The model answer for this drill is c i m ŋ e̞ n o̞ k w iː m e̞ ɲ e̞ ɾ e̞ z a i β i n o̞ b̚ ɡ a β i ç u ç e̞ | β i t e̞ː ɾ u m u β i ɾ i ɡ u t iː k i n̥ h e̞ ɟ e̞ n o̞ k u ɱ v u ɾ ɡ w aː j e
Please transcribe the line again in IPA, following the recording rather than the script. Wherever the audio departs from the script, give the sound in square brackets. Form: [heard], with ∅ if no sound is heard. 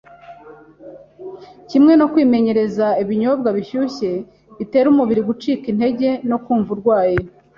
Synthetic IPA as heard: c i m ŋ e̞ n o̞ k w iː m e̞ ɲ e̞ ɾ e̞ z a i β i [ɲ] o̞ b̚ ɡ a β i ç u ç e̞ | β i t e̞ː ɾ u m u β i ɾ i ɡ u [t͡ʃ] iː k i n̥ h e̞ ɟ e̞ n o̞ k [uː] ɱ v u ɾ ɡ w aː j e